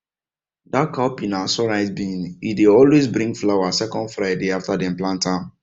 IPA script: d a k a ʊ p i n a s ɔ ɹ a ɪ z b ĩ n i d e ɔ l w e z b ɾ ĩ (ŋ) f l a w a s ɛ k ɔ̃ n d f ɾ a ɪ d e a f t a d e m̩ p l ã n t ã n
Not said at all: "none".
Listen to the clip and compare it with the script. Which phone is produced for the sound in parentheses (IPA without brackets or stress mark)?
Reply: ŋ